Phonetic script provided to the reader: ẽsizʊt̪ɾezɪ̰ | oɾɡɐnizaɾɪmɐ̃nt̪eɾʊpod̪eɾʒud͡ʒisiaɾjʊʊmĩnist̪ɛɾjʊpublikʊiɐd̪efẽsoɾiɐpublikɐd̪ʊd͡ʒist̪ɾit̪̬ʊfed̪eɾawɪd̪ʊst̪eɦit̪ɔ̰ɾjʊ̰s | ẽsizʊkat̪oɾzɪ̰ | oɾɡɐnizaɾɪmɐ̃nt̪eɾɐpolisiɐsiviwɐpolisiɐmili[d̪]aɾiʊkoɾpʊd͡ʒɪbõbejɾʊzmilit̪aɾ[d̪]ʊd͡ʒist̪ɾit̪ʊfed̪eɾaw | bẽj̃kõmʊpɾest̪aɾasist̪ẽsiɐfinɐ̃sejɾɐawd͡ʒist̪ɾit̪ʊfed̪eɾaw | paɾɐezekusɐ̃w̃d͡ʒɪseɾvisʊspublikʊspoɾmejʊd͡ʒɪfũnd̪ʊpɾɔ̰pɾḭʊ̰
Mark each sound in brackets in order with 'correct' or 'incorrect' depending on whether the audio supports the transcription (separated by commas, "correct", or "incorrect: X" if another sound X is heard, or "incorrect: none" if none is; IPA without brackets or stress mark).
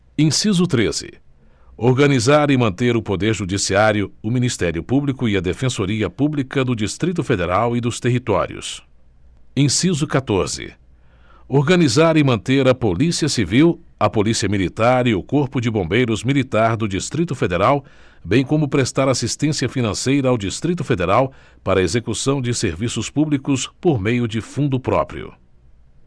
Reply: incorrect: t̪, correct